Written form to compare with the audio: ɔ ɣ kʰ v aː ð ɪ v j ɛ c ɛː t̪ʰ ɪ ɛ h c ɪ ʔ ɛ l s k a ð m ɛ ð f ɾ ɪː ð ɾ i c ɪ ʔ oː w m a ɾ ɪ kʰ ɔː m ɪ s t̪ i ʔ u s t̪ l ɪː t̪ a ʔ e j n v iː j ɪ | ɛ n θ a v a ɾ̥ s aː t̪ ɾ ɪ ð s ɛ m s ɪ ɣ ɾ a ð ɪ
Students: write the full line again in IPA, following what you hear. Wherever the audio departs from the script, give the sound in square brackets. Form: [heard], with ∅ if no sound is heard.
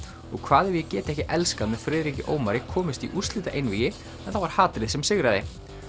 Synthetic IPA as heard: ɔ ɣ kʰ v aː ð ɪ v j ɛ c ɛː [t̪] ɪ ɛ h c ɪ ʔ ɛ l s k a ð m ɛ ð f ɾ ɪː ð ɾ i c ɪ ʔ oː w m a ɾ ɪ kʰ ɔː m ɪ s t̪ i ʔ u s t̪ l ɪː t̪ a ʔ e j n v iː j ɪ | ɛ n θ a v a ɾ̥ [h] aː t̪ ɾ ɪ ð s ɛ m s ɪ ɣ ɾ a ð ɪ